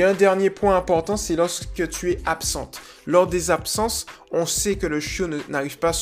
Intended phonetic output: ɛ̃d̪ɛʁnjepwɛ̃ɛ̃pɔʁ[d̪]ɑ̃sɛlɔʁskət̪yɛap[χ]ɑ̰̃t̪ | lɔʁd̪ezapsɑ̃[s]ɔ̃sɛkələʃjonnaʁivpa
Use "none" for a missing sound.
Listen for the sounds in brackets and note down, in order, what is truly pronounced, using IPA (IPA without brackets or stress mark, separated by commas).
t̪, s, s